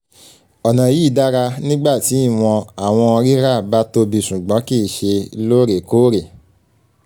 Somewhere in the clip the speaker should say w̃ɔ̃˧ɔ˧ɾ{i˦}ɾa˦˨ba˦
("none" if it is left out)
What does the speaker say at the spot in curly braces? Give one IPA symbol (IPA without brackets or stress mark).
i˦